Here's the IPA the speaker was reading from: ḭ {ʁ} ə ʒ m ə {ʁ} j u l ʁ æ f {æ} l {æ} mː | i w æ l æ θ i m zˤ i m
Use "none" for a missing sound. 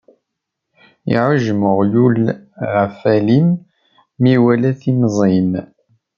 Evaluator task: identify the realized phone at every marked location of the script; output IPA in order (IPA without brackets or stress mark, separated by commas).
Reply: ʕ, ʁ, æ, i